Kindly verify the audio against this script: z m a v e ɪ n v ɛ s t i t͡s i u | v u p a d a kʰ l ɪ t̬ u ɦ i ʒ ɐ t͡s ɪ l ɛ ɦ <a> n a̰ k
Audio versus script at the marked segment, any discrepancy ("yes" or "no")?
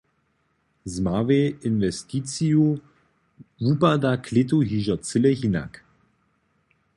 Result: yes